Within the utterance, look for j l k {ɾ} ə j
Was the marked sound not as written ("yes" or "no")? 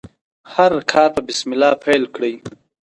yes